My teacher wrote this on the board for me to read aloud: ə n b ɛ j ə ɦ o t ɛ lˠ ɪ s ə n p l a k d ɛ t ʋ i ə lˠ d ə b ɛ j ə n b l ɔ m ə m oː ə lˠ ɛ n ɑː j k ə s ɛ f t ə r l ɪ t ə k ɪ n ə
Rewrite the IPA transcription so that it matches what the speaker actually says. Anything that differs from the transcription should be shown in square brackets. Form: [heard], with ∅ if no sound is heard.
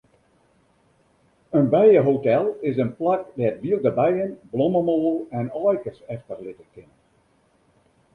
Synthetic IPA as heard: ə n b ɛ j ə ɦ o t ɛ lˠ ɪ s ə n p l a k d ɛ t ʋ i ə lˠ d ə b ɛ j ə n b l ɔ m ə m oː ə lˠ ɛ n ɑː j k ə s ɛ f t ə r l ɪ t ə k ɪ n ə